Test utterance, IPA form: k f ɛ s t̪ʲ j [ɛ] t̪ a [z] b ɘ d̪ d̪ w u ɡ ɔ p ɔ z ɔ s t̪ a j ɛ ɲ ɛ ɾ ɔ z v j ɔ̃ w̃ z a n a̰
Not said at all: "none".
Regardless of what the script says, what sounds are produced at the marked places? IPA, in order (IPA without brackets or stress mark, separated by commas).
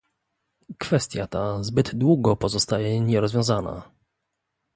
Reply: a, z